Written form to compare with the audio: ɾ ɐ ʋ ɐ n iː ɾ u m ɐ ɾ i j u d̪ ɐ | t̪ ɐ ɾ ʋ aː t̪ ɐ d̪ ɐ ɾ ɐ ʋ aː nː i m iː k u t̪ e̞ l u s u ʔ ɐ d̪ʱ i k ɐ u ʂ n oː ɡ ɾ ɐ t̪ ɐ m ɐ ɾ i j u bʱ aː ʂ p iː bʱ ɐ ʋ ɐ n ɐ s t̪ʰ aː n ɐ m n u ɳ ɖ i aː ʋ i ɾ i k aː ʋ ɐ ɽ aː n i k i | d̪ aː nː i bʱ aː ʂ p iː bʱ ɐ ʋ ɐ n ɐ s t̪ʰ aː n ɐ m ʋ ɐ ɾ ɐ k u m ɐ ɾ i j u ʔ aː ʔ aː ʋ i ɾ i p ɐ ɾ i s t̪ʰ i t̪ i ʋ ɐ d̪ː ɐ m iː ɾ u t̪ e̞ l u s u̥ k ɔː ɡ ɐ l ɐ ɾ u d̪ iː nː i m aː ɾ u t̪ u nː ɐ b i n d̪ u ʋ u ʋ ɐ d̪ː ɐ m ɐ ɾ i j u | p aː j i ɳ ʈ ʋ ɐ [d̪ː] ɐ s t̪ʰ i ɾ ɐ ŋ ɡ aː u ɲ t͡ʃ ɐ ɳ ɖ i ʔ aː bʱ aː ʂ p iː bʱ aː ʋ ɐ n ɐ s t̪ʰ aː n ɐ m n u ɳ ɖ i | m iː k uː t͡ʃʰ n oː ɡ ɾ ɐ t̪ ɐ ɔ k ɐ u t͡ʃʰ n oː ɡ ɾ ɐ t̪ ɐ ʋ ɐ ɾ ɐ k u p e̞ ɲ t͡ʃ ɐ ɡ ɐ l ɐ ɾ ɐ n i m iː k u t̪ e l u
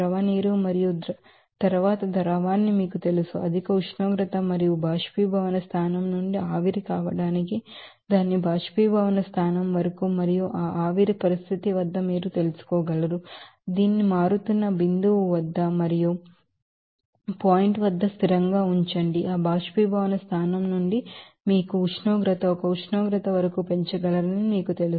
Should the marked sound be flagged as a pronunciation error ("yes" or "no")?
no